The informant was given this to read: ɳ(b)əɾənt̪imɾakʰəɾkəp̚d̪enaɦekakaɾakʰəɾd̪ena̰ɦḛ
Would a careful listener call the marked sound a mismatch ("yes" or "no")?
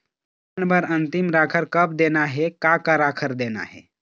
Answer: no